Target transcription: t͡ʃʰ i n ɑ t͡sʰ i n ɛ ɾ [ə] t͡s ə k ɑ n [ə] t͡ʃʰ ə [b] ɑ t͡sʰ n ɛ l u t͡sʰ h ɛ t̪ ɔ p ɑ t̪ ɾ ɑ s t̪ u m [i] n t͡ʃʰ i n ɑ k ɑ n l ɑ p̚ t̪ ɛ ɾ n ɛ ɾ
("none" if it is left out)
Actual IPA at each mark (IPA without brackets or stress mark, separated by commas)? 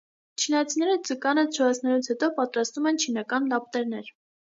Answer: ə, ə, v, ɛ